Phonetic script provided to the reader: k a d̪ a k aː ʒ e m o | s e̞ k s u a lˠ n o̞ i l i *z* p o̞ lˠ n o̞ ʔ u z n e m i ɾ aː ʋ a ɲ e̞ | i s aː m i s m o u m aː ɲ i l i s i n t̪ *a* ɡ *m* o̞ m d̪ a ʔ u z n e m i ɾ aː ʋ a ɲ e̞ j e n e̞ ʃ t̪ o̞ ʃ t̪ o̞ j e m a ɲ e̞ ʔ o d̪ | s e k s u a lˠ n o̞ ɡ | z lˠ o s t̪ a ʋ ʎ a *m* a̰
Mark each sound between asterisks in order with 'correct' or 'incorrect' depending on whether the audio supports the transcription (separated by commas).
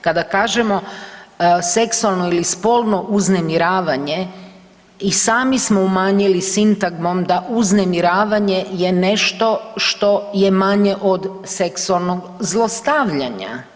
incorrect, correct, correct, incorrect